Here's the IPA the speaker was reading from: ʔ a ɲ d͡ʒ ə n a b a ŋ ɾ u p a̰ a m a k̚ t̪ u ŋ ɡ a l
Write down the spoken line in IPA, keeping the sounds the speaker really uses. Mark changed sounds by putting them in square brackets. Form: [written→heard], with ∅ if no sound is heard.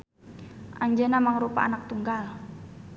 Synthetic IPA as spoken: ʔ a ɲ d͡ʒ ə n a [b→m] a ŋ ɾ u p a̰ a [m→n] a k̚ t̪ u ŋ ɡ a l